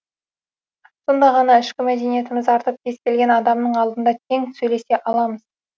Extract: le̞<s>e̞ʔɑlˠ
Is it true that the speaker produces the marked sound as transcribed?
yes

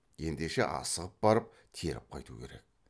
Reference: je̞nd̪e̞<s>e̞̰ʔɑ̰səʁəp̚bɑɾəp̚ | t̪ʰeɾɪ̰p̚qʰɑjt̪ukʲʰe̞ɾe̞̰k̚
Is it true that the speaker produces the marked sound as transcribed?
no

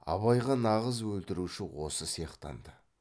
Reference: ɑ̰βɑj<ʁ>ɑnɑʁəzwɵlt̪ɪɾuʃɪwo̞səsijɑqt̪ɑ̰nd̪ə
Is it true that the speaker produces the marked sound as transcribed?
yes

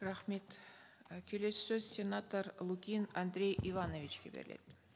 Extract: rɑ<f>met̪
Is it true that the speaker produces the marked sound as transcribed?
no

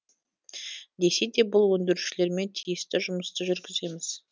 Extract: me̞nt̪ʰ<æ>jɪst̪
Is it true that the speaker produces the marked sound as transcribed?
no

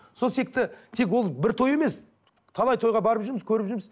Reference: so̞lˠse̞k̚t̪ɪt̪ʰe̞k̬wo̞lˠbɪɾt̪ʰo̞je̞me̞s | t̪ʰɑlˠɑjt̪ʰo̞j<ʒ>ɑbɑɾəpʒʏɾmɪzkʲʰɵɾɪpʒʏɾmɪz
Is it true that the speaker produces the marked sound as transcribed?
no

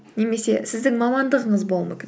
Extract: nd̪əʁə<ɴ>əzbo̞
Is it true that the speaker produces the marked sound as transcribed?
yes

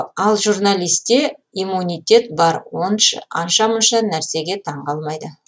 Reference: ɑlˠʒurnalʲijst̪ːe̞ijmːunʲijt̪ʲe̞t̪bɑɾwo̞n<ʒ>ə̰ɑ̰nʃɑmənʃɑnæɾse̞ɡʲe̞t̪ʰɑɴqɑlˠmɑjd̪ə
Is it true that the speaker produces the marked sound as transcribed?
no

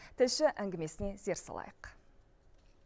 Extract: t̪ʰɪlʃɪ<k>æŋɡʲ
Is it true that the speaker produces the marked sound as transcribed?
no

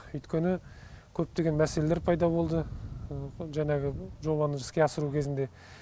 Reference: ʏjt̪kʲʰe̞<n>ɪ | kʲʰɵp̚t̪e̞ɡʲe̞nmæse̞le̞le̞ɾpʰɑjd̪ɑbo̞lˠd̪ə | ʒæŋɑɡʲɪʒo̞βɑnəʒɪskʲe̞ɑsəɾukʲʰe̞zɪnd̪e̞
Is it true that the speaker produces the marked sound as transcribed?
yes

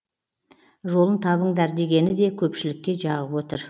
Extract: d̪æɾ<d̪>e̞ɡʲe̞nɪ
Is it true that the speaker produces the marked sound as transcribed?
yes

